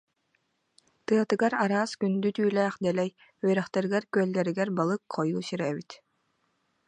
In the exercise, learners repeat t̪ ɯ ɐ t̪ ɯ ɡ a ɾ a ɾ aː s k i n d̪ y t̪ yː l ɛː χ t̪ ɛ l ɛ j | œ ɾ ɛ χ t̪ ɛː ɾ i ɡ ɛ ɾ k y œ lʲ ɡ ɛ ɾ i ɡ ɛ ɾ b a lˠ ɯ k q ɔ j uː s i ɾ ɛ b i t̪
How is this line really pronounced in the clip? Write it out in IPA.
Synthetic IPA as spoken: t̪ ɯ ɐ t̪ ɯ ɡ a ɾ a ɾ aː s k y n d̪ y t̪ yː l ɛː χ d̪ ɛ l ɛ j | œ ɾ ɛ χ t̪ ɛ ɾ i ɡ ɛ ɾ k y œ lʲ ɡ ɛ ɾ i ɡ ɛ ɾ b a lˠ ɯ k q ɔ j uː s i ɾ ɛ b i t̪